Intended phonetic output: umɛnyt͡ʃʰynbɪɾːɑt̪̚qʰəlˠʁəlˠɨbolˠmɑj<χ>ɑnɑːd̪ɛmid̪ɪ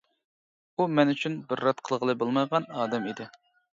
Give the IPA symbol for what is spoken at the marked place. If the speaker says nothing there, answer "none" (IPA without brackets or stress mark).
ʁ